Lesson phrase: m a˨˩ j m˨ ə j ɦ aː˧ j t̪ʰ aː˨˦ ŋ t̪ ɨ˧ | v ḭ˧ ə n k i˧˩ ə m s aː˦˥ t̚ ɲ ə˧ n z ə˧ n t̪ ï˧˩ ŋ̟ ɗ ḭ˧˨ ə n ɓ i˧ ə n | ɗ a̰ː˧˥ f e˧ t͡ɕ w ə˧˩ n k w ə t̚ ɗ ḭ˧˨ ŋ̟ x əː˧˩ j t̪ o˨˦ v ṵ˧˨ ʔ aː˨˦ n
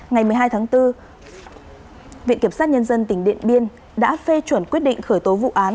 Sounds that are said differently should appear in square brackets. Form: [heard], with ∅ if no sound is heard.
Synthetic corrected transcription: [ŋ] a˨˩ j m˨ ə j ɦ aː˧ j t̪ʰ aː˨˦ ŋ t̪ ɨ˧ | v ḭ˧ ə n k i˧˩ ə m s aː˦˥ t̚ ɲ ə˧ n z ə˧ n t̪ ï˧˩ ŋ̟ ɗ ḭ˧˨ ə n ɓ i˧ ə n | ɗ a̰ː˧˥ f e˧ t͡ɕ w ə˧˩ n k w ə t̚ ɗ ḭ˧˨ ŋ̟ x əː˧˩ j t̪ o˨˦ v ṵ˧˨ ʔ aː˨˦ n